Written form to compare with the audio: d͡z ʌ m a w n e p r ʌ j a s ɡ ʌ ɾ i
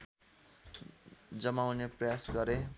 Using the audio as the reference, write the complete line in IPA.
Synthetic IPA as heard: d͡z ʌ m a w n e p r ʌ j a s ɡ ʌ ɾ e